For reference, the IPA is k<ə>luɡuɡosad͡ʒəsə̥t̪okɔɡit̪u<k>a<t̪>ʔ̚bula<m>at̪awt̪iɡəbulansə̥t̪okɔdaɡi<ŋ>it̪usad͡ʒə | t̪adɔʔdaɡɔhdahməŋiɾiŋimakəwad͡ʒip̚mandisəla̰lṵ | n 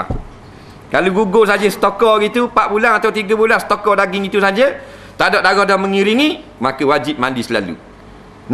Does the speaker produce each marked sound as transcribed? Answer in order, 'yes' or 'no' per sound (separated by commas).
no, no, no, no, yes